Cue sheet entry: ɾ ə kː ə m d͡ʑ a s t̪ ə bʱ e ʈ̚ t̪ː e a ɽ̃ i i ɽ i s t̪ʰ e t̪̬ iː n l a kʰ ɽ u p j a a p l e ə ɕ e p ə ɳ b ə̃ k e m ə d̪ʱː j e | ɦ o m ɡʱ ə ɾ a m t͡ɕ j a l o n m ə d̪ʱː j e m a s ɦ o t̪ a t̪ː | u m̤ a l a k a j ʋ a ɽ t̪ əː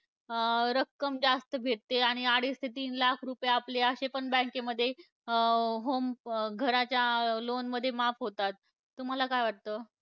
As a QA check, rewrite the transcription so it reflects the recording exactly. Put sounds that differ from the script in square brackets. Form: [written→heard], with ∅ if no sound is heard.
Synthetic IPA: ɾ ə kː ə m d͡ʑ a s t̪ ə bʱ e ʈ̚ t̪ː e a ɽ̃ i [i→a] ɽ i s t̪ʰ e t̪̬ iː n l a kʰ [ɽ→ɾ] u p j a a p l e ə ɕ e p ə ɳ b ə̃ k e m ə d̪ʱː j e | ɦ o m ɡʱ ə ɾ a [m→∅] t͡ɕ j a l o n m ə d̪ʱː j e m a [s→f] ɦ o t̪ a t̪ː | u m̤ a l a k a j ʋ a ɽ t̪ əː